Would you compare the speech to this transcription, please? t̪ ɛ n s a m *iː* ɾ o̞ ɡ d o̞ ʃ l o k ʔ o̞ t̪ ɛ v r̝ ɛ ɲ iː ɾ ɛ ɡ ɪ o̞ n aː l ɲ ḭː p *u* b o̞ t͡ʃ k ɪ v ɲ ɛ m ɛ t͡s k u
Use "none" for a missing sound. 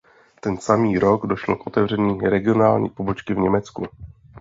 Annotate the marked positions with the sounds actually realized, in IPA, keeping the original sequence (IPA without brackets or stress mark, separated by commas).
iː, o